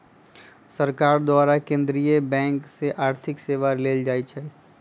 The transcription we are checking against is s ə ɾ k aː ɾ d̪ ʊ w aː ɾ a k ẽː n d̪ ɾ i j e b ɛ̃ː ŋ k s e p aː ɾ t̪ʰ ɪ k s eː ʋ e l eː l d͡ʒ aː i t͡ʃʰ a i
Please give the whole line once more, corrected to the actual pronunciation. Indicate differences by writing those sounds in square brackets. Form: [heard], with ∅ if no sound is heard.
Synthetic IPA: s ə ɾ k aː ɾ d̪ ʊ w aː ɾ a k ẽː n d̪ ɾ i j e b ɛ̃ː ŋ k s e [ʔ] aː ɾ t̪ʰ ɪ k s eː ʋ [a] l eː l d͡ʒ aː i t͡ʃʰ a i